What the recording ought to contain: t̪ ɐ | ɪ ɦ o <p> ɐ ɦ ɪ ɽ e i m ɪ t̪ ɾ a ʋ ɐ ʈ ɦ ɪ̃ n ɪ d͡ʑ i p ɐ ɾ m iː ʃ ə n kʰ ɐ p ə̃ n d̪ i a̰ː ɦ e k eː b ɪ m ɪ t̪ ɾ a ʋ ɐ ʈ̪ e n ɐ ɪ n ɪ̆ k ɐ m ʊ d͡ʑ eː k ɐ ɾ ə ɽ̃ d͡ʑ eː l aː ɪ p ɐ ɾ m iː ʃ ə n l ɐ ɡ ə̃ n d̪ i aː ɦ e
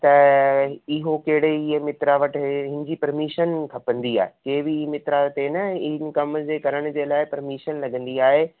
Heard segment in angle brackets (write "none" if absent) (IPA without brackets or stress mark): k